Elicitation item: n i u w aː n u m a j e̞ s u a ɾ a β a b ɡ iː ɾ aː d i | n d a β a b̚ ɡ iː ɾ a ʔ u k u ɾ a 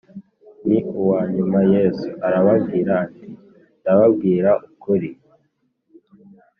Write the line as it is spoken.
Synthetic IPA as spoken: n i u w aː ɲ u m a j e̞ s u a ɾ a β a b ɡ iː ɾ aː t i | n d a β a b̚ ɡ iː ɾ a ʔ u k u ɾ i